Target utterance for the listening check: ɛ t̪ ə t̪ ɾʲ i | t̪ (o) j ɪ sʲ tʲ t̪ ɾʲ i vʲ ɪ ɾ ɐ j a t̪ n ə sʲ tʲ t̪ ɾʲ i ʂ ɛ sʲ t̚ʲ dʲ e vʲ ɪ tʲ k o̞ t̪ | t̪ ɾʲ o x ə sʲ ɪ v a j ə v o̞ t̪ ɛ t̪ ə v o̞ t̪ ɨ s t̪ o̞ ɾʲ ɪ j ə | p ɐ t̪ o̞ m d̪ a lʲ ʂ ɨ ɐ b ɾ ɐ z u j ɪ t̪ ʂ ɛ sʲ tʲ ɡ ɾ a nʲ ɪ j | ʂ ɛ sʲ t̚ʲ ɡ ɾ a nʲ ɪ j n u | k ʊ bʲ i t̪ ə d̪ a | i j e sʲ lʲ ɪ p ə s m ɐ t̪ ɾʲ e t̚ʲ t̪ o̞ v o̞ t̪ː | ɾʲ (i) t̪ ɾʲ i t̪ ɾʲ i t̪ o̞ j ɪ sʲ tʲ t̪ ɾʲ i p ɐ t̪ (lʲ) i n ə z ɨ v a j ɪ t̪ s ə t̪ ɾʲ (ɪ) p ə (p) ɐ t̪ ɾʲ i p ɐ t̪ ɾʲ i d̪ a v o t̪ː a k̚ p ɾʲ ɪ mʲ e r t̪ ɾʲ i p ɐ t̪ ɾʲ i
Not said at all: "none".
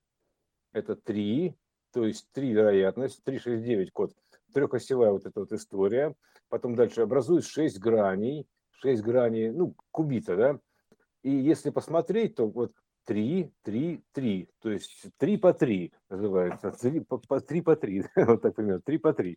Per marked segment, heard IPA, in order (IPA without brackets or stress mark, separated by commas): o, i, ɾʲ, i, p